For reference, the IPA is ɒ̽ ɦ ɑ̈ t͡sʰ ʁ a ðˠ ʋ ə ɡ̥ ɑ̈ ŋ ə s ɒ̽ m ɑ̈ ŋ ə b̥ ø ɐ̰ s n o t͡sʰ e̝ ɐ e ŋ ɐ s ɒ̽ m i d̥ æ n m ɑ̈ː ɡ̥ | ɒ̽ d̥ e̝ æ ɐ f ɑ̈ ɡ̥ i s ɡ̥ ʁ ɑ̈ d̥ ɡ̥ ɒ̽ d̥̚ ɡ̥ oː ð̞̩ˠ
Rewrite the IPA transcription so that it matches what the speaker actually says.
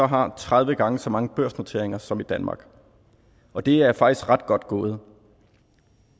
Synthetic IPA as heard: ɒ̽ ɦ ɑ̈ t͡sʰ ʁ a ðˠ ʋ ə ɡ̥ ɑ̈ ŋ ə s ɒ̽ m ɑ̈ ŋ ə b̥ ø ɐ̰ s n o t͡sʰ e̝ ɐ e ŋ ɐ s ɒ̽ m i d̥ æ n m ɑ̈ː ɡ̥ | ɒ̽ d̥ e̝ æ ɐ f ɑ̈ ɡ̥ i s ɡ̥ ʁ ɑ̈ d̥ ɡ̥ ɒ̽ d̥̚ ɡ̥ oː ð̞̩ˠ